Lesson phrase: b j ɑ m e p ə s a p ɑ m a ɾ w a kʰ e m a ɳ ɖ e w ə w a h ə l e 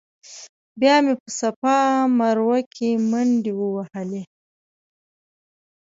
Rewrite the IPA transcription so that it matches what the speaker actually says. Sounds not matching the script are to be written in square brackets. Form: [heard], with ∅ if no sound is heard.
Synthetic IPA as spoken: b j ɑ m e p ə s a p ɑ m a ɾ w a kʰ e m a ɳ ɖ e w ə w a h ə l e